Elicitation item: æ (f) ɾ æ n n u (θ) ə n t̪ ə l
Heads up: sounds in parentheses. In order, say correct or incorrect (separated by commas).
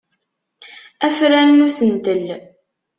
correct, incorrect